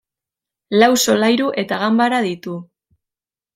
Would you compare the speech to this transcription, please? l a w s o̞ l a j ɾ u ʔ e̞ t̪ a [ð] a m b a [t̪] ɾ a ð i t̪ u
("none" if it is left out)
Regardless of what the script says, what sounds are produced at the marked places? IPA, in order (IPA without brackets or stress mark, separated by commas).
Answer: ɣ, none